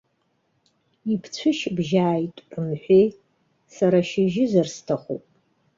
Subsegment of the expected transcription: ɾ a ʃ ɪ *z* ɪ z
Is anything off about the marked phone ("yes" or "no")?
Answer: yes